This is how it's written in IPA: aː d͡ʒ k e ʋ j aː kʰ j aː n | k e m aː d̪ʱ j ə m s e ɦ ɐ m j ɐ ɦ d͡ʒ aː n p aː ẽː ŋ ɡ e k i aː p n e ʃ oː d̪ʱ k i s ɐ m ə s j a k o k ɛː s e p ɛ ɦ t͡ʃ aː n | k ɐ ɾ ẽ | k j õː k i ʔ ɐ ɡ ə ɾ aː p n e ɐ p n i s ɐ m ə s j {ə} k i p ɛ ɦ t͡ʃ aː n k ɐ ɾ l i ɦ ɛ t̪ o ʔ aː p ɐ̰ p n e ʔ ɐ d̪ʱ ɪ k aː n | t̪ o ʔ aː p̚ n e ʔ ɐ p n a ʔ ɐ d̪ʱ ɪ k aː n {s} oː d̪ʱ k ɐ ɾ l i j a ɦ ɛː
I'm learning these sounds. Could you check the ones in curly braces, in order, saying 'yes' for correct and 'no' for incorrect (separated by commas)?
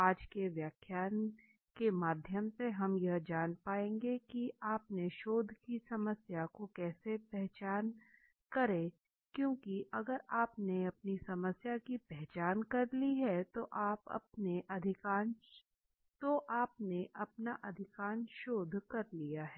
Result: no, no